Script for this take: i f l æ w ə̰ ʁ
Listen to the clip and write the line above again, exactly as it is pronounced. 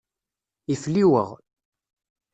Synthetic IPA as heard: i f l i w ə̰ ʁ